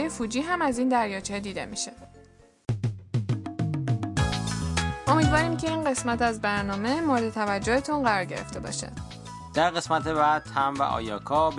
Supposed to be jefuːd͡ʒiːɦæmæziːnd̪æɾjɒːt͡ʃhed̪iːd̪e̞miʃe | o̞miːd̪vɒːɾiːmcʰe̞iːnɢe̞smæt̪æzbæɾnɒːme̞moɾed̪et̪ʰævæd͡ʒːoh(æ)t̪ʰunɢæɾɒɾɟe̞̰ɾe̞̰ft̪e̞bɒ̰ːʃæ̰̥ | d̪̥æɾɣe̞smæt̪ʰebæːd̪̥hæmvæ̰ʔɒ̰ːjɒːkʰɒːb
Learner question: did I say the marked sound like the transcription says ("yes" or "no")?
no